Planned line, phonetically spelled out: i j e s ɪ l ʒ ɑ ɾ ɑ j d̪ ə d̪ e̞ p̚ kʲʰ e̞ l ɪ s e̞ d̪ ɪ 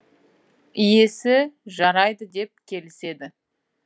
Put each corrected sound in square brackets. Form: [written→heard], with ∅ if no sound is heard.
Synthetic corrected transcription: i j e s ɪ [l→∅] ʒ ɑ ɾ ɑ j d̪ ə d̪ e̞ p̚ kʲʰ e̞ l ɪ s e̞ d̪ ɪ